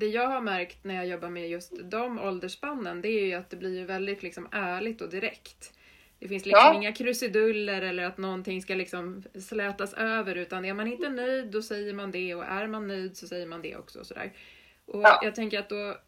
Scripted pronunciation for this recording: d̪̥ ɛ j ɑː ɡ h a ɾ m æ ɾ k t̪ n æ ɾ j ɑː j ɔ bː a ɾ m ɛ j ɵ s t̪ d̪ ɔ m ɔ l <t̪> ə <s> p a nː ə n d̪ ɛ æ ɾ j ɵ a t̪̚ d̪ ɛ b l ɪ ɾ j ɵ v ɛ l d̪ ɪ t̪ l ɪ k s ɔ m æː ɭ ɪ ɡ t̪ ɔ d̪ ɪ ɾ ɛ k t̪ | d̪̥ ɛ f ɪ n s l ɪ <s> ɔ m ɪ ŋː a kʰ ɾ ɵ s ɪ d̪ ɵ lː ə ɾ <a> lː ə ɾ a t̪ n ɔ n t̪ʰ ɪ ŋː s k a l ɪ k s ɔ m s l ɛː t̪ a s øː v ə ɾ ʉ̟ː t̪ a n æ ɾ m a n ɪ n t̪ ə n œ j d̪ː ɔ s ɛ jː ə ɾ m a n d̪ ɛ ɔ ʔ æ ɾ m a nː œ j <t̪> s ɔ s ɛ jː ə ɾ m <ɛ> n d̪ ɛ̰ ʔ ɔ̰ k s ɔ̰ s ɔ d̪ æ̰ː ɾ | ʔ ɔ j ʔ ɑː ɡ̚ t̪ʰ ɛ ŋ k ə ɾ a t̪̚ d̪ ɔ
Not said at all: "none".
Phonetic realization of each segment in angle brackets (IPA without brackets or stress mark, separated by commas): d̪, ʂ, s, ɛ, d̪, a